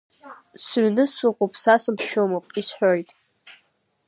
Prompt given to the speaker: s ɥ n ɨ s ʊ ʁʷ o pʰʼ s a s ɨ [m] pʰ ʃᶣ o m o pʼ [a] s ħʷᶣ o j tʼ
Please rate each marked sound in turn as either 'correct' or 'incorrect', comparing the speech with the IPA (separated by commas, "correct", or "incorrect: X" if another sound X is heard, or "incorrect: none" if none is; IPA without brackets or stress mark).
correct, incorrect: i